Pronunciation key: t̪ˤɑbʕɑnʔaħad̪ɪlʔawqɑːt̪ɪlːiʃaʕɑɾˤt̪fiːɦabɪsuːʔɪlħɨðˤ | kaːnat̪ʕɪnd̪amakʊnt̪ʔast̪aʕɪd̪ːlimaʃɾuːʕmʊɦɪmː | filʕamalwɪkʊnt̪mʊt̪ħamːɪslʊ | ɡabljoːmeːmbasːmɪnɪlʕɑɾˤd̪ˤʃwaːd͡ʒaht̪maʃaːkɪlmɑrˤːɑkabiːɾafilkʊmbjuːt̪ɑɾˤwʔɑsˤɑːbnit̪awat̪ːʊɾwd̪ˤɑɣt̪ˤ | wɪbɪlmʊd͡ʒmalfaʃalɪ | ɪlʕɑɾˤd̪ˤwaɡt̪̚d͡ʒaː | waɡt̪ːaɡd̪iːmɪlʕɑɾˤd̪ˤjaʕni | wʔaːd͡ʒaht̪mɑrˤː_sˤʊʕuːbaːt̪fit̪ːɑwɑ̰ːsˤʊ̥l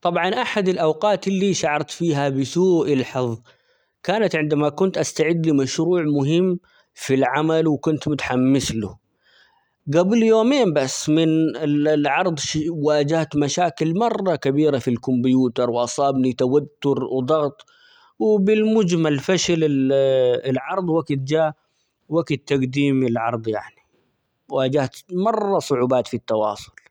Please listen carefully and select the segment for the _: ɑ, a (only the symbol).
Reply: ɑ